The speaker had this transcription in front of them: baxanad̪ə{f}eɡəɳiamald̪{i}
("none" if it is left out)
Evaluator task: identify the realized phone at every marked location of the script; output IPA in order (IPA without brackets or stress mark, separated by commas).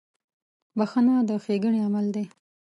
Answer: x, e